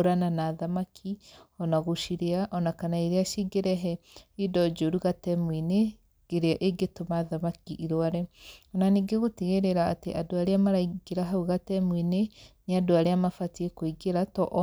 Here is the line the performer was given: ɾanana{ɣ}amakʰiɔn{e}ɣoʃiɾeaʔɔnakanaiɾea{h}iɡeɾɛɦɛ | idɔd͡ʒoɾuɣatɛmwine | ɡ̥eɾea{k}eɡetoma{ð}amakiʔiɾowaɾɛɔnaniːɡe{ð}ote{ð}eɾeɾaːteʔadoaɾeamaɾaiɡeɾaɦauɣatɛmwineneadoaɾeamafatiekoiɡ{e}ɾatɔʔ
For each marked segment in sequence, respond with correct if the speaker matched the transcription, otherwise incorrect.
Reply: incorrect, incorrect, incorrect, incorrect, correct, incorrect, incorrect, correct

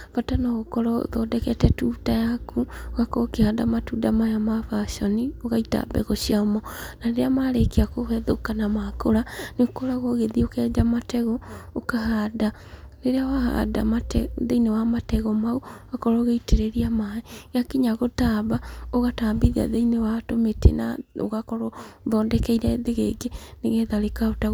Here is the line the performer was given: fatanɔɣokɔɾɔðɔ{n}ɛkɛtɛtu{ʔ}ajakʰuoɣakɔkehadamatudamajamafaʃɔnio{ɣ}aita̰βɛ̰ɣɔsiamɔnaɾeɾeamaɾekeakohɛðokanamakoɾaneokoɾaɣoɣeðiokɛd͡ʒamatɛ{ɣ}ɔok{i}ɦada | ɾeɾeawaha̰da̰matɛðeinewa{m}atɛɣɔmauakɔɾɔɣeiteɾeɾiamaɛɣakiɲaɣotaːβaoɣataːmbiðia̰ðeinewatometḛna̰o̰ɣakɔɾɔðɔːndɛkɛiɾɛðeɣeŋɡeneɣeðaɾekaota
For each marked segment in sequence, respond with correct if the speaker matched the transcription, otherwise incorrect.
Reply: incorrect, incorrect, correct, correct, incorrect, correct

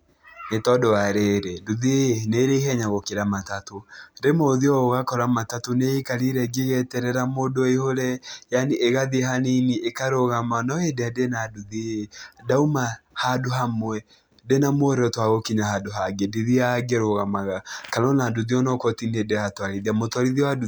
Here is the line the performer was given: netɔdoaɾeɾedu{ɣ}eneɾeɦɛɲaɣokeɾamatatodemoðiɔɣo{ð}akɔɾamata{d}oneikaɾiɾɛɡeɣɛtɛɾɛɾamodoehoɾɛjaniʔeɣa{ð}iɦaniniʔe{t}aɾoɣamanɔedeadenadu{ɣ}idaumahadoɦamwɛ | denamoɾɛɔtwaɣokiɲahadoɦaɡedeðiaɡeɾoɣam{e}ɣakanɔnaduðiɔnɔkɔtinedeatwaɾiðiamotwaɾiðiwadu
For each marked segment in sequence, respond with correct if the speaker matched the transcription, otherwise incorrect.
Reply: incorrect, incorrect, incorrect, correct, incorrect, incorrect, incorrect

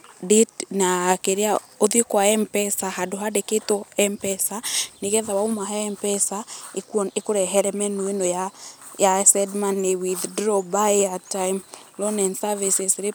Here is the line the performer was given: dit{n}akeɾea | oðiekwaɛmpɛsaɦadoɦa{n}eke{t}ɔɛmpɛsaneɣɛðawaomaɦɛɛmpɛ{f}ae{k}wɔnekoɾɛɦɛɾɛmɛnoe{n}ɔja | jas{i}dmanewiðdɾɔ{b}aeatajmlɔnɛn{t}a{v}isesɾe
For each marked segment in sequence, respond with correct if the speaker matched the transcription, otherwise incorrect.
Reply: correct, incorrect, correct, incorrect, correct, correct, incorrect, correct, incorrect, correct

